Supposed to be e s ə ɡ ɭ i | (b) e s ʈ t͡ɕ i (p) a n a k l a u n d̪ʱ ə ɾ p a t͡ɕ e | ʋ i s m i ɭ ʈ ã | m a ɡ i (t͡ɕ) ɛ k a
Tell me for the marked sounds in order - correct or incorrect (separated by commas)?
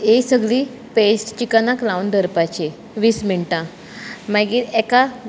incorrect, incorrect, incorrect